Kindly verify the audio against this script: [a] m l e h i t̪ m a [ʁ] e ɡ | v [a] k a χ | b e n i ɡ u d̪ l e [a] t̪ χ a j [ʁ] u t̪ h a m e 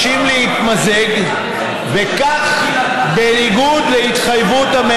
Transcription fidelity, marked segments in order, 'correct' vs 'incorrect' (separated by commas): incorrect, incorrect, incorrect, incorrect, incorrect